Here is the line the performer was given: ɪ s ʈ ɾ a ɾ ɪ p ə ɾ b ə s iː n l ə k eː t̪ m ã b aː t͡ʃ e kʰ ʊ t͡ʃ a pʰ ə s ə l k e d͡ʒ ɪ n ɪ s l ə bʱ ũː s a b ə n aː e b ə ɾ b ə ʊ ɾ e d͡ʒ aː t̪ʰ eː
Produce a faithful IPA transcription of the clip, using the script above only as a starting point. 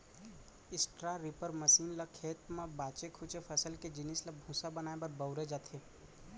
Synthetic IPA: ɪ s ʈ ɾ a ɾ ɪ p ə ɾ m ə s iː n l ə kʰ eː t̪ m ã b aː t͡ʃ e kʰ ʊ t͡ʃ e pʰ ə s ə l k e d͡ʒ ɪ n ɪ s l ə bʱ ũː s a b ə n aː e b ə ɾ b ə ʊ ɾ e d͡ʒ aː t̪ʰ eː